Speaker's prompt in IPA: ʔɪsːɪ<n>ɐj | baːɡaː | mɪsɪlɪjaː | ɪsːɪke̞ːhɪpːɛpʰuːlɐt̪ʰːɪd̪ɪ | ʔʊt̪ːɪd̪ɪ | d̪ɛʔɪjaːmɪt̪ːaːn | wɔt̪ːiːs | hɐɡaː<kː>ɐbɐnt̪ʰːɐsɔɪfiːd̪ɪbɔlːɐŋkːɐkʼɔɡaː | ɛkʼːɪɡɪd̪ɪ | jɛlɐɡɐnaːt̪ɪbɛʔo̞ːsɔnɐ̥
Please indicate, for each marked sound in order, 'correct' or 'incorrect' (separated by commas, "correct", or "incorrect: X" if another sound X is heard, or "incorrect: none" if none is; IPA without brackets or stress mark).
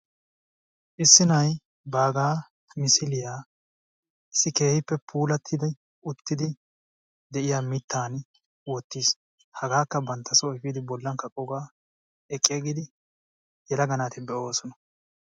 correct, correct